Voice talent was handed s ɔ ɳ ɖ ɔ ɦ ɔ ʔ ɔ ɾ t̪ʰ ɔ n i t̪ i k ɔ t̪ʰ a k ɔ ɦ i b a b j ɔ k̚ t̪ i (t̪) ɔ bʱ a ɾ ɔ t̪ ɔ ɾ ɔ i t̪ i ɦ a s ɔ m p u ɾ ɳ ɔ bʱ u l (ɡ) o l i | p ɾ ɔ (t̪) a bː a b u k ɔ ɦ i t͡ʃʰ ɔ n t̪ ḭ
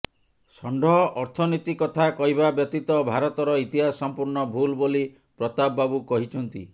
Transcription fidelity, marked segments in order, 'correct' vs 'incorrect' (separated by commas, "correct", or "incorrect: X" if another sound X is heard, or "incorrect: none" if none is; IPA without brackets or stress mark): correct, incorrect: b, correct